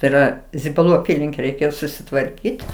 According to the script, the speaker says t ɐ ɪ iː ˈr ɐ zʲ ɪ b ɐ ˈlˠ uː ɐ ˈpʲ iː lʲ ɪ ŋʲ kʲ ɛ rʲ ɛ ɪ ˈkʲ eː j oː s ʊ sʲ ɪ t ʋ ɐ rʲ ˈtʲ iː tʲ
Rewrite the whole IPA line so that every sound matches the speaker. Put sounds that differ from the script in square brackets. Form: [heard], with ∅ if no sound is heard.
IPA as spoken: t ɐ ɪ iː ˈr ɐ zʲ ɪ b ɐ ˈlˠ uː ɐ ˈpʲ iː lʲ ɪ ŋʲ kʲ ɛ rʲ ɛ ɪ ˈkʲ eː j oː s ʊ sʲ ɪ t ʋ ɐ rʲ [ˈkʲ] iː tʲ